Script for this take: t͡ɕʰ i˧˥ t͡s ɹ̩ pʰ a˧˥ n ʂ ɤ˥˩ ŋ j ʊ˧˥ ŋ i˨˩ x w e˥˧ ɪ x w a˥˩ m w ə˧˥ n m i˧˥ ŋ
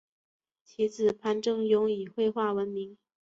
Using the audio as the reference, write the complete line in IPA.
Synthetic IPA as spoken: t͡ɕʰ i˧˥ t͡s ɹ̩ pʰ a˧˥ n ʈ͡ʂ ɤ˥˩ ŋ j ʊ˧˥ ŋ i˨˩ x w e˥˧ ɪ x w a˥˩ w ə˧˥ n m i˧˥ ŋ

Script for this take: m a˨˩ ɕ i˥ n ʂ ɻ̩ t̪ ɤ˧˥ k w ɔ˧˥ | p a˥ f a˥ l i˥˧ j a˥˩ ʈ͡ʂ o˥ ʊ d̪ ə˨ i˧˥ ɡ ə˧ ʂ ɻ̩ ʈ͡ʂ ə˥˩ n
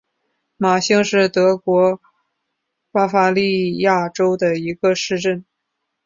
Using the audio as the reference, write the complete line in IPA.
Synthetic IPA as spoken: m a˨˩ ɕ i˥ ŋ ʂ ɻ̩ t̪ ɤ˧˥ k w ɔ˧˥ | p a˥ f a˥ l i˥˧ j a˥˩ ʈ͡ʂ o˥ ʊ d̪ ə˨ i˧˥ ɡ ə˧ ʂ ɻ̩ ʈ͡ʂ ə˥˩ n

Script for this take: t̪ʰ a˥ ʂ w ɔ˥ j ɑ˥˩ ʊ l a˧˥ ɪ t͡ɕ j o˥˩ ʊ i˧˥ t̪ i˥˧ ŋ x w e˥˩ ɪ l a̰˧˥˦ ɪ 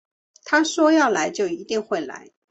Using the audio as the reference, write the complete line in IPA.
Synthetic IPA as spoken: t̪ʰ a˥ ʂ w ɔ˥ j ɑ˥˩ ʊ l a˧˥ ɪ t͡ɕ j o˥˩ ʊ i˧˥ t̪ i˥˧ ŋ x w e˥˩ ɪ l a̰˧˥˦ ɪ

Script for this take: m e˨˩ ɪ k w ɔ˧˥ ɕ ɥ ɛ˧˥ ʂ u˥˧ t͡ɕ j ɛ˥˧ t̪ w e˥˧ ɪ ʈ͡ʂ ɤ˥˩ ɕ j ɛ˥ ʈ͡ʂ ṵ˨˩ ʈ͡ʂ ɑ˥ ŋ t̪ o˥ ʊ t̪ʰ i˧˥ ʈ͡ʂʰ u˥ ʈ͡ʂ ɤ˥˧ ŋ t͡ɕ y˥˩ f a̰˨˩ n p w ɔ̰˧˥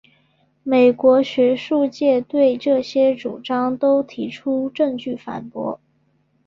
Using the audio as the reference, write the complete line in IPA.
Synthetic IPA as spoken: m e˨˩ ɪ k w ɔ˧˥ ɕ ɥ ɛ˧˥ ʂ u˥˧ t͡ɕ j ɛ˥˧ t̪ w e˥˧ ɪ ʈ͡ʂ ɤ˥˩ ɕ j ɛ˥ ʈ͡ʂ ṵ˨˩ ʈ͡ʂ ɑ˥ ŋ t̪ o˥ ʊ t̪ʰ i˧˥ ʈ͡ʂʰ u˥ ʈ͡ʂ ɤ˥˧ ŋ t͡ɕ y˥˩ f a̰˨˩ n p w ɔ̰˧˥

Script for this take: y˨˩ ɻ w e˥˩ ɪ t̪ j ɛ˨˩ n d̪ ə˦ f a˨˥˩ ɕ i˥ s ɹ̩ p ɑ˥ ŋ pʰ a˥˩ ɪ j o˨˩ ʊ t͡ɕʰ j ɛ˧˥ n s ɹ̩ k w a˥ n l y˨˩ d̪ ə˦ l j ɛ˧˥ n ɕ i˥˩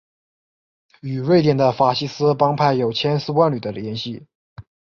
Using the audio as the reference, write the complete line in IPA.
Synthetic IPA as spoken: y˨˩ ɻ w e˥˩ ɪ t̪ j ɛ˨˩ n d̪ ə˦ f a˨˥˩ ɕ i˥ s ɹ̩ p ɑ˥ ŋ pʰ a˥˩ ɪ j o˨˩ ʊ t͡ɕʰ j ɛ˥ n s ɹ̩ k w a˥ n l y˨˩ d̪ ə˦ l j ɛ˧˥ n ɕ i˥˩

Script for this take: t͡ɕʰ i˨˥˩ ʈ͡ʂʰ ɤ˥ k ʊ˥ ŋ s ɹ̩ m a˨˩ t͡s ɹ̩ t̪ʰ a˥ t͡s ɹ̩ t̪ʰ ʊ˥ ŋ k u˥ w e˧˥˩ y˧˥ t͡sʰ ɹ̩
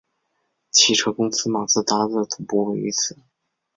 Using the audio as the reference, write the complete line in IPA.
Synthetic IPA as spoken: t͡ɕʰ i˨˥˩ ʈ͡ʂʰ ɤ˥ k ʊ˥ ŋ s ɹ̩ m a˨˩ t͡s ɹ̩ t̪ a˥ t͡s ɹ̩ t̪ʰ ʊ˨˩ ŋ p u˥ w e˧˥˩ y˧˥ t͡sʰ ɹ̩

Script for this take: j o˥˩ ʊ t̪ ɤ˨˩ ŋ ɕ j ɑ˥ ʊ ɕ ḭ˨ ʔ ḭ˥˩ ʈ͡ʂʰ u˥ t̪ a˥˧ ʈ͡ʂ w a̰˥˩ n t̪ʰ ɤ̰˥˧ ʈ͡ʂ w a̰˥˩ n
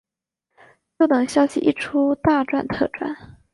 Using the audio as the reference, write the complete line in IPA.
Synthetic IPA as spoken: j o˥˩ ʊ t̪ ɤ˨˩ ŋ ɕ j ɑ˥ ʊ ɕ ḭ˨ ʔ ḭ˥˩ ʈ͡ʂʰ u˥ t̪ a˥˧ ʈ͡ʂ w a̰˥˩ n t̪ʰ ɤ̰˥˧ ʈ͡ʂ w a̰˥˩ n

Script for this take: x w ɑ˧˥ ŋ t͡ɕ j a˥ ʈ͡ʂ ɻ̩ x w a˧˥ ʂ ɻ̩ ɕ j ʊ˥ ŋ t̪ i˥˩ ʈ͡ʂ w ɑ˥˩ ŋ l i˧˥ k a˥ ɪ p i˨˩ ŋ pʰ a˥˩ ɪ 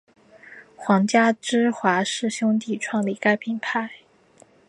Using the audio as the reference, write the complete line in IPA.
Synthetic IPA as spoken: x w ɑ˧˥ ŋ t͡ɕ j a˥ ʈ͡ʂ ɻ̩ x w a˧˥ ʂ ɻ̩ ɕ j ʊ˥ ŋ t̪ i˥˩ ʈ͡ʂʰ w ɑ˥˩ ŋ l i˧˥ k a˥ ɪ pʰ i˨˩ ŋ pʰ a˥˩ ɪ

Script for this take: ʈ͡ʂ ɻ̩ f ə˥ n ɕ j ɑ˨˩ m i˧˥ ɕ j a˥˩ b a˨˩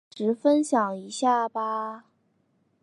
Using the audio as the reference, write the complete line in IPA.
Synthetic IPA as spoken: ʈ͡ʂ ɻ̩ f ə˥ n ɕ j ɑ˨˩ ŋ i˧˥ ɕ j a˥˩ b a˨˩

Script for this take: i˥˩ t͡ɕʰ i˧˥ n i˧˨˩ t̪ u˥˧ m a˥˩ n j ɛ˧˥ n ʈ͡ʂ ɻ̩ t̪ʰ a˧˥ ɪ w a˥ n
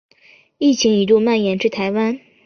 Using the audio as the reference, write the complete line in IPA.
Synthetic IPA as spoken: i˥˩ t͡ɕʰ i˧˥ ŋ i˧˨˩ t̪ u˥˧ m a˥˩ n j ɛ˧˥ n ʈ͡ʂ ɻ̩ t̪ʰ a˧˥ ɪ w a˥ n

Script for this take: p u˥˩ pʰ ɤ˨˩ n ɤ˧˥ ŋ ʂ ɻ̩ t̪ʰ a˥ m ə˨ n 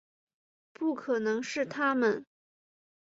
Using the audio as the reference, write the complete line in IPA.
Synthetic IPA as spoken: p u˥˩ kʰ ɤ˨˩ n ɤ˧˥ ŋ ʂ ɻ̩ t̪ʰ a˥ m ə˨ n

